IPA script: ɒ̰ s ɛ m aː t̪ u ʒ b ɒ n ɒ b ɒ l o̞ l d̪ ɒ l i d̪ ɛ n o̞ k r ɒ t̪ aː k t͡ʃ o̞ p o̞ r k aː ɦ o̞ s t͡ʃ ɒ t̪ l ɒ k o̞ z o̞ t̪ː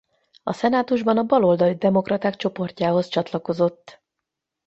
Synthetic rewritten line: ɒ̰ s ɛ n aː t̪ u ʒ b ɒ n ɒ b ɒ l o̞ l d̪ ɒ l i d̪ ɛ m o̞ k r ɒ t̪ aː k t͡ʃ o̞ p o̞ r c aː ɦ o̞ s t͡ʃ ɒ t̪ l ɒ k o̞ z o̞ t̪ː